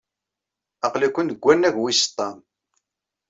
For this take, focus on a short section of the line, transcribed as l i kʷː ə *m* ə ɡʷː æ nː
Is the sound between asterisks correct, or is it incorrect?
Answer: incorrect